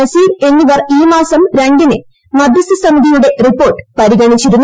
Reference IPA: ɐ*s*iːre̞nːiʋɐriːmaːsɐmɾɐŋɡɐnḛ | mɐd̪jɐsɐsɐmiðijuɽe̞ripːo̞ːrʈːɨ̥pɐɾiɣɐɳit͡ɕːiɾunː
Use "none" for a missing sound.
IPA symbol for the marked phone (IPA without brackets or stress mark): s